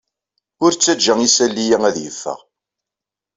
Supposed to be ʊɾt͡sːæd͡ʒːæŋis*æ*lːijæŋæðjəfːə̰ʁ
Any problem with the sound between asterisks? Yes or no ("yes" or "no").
no